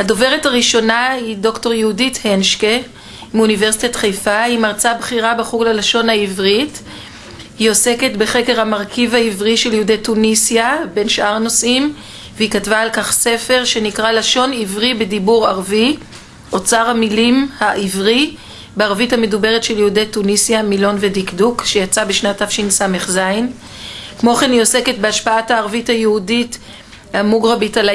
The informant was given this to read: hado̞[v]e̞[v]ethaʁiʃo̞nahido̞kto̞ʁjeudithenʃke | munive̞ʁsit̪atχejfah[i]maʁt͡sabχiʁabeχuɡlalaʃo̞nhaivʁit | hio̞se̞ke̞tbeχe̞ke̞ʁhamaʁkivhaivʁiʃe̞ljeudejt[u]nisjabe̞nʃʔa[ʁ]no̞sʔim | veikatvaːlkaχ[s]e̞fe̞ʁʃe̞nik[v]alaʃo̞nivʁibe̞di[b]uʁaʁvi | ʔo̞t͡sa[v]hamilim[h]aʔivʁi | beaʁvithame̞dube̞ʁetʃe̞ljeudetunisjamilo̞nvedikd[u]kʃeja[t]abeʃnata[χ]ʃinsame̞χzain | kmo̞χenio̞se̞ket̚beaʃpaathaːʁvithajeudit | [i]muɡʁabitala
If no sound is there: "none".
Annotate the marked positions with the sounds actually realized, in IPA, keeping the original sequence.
v, ʁ, i, u, ʁ, s, ʁ, b, ʁ, h, u, t͡s, f, a

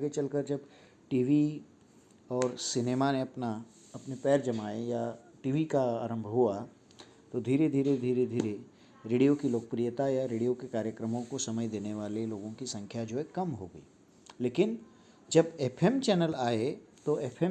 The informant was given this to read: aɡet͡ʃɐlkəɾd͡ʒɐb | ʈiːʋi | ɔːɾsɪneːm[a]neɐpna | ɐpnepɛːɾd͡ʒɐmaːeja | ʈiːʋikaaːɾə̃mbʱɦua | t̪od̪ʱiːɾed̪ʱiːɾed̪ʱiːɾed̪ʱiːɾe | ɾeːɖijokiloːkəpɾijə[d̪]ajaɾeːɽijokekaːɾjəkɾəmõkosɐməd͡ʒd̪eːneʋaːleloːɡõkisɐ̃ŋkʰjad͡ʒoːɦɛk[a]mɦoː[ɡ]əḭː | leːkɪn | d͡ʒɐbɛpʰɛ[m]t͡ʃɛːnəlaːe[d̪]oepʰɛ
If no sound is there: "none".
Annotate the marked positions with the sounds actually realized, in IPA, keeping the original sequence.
a, t̪, ɐ, ɡ, m, t̪

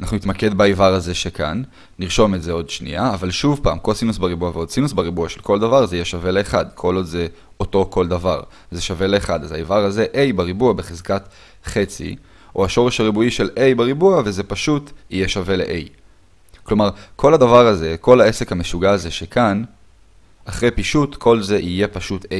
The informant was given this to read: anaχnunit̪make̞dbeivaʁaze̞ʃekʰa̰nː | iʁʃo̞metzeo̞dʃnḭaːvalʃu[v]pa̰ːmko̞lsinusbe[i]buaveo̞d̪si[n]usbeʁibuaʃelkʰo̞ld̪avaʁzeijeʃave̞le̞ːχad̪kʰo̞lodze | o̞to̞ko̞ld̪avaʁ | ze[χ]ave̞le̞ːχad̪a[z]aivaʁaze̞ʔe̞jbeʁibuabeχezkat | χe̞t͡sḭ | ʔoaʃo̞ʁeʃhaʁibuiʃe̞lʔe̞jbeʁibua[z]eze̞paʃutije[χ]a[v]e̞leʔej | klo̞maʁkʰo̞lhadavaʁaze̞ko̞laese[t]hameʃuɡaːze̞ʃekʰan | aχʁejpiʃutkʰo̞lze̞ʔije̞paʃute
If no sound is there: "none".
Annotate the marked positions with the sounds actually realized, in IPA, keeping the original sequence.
v, i, n, ʃ, z, v, ʃ, v, k

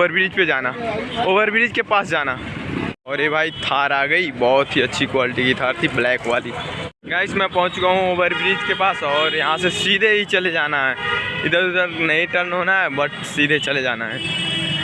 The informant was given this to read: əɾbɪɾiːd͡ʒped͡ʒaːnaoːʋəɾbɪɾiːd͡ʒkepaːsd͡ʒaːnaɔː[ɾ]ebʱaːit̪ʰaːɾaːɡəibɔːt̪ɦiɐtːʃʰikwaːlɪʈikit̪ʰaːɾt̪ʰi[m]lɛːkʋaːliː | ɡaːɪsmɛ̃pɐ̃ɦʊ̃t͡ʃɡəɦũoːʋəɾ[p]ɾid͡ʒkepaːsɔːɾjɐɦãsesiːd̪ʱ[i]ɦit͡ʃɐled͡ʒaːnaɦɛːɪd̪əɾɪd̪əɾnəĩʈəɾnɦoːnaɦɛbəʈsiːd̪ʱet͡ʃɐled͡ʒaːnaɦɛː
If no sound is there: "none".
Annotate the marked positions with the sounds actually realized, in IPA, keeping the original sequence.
ɾ, b, b, e

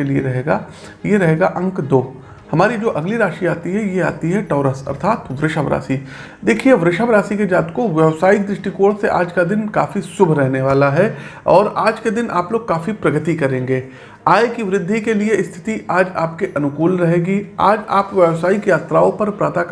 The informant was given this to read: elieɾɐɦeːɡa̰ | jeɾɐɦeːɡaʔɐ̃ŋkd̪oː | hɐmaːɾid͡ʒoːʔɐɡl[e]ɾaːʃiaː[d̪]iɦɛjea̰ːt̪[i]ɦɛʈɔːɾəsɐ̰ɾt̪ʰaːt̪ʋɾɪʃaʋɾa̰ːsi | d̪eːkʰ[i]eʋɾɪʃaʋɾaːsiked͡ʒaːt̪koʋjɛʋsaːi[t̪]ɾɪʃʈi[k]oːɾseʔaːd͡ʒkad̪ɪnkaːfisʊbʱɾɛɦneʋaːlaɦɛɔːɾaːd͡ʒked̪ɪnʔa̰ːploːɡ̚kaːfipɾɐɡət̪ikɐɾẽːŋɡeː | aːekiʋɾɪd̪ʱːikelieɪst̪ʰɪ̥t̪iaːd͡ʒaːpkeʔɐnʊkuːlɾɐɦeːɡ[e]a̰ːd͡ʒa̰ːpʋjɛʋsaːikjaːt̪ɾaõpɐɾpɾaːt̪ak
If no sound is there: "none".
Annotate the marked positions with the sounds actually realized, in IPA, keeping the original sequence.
i, t̪, i, i, d̪, k, i

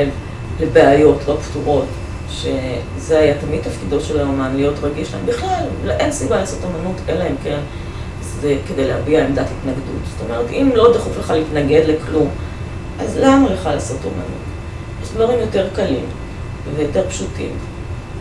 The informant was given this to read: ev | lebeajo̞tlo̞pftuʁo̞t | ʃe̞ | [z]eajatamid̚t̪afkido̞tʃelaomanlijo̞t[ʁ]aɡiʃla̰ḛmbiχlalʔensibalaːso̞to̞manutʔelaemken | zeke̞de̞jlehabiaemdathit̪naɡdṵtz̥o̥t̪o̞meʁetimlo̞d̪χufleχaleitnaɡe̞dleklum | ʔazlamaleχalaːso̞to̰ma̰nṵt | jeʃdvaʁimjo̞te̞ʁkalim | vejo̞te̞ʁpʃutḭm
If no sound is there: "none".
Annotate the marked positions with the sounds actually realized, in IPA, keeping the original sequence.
z, ʁ

